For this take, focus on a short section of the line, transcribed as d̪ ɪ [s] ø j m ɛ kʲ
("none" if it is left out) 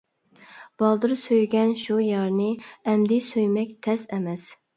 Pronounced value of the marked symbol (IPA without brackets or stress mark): s